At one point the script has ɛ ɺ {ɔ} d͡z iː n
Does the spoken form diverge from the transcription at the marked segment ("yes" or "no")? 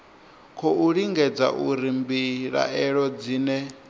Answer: no